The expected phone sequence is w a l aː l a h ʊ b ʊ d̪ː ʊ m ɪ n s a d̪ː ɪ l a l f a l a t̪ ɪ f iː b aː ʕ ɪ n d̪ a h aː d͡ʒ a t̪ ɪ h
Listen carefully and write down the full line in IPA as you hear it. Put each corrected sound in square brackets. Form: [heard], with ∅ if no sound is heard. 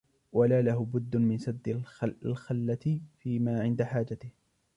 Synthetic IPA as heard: w a l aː l a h ʊ b ʊ d̪ː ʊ m ɪ n s a d̪ː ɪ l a l [x] a [lː] a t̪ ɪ f iː [m] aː ʕ ɪ n d̪ a [ħ] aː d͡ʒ a t̪ ɪ h

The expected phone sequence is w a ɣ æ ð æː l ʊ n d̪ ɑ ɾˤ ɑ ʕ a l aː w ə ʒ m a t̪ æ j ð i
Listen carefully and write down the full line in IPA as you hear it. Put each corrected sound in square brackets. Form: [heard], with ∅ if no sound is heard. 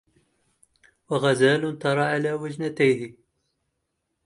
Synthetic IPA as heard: w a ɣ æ [z] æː l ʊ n [t̪] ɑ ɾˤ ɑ ʕ a l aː w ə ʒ [n] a t̪ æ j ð i

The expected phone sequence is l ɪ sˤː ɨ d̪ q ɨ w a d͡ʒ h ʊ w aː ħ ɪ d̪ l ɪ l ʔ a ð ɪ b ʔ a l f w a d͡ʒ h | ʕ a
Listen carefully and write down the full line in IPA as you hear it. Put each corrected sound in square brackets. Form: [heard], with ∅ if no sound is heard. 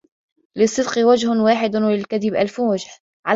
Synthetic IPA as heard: l ɪ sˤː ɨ d̪ q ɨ w a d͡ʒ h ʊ w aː ħ ɪ d̪ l ɪ l [k] a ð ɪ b ʔ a l f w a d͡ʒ h | ʕ a

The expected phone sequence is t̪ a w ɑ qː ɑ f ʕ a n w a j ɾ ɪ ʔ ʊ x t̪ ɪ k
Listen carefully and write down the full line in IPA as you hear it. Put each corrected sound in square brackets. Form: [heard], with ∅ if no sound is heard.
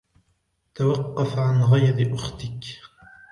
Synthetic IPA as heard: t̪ a w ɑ qː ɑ f ʕ a n [ɣ] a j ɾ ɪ ʔ ʊ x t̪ ɪ k

